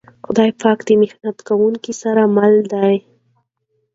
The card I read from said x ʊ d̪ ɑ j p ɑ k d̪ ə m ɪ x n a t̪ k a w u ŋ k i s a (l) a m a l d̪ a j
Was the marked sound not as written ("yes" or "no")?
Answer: yes